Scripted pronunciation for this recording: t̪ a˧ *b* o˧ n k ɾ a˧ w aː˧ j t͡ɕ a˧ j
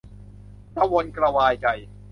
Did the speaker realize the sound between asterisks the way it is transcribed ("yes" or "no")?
no